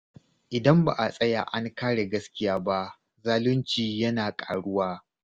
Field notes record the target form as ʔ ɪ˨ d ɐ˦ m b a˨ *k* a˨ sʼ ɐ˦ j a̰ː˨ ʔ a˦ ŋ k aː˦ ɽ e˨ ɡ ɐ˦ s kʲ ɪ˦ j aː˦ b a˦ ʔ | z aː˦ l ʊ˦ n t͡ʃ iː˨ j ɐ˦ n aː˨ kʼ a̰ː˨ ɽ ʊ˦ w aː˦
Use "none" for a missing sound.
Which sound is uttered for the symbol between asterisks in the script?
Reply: ʔ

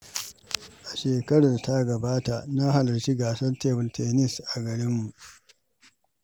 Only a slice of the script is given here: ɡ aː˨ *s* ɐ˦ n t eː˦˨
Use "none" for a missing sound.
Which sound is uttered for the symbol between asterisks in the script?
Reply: s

